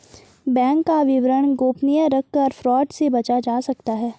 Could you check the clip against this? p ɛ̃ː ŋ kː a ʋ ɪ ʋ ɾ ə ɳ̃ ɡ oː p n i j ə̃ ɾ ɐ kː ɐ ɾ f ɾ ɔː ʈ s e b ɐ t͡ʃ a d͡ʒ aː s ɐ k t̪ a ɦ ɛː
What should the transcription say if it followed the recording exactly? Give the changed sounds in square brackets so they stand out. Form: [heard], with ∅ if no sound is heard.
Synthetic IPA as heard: [b] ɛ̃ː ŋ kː a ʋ ɪ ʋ ɾ ə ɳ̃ ɡ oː p n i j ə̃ ɾ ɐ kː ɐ ɾ f ɾ ɔː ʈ s e b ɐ t͡ʃ a d͡ʒ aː s ɐ k t̪ a ɦ ɛː